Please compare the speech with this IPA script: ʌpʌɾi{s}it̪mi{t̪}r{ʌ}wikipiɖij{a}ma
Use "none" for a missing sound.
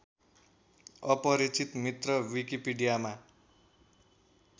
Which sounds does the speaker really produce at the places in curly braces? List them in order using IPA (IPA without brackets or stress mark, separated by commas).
t͡s, t̪, ʌ, a